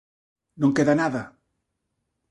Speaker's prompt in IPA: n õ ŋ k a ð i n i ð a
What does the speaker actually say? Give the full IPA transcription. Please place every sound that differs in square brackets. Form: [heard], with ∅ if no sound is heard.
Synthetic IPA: n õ ŋ k [e] ð [a] n [a] ð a